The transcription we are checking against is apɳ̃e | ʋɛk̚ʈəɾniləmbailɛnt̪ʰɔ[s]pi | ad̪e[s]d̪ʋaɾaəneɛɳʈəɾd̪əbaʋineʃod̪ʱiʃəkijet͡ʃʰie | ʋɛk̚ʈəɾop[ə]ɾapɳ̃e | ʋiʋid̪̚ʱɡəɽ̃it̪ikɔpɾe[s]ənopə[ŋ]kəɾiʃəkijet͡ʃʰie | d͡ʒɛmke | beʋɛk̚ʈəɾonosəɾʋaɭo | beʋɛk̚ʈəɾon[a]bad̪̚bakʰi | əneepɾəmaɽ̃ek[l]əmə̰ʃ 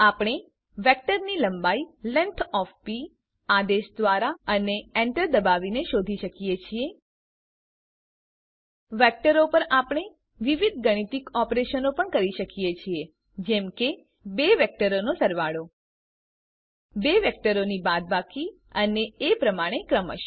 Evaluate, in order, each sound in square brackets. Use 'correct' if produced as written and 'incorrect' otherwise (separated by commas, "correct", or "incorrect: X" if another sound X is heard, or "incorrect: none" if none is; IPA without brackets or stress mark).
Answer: incorrect: f, incorrect: ʃ, correct, incorrect: ʃ, incorrect: ɳ, incorrect: i, incorrect: ɾ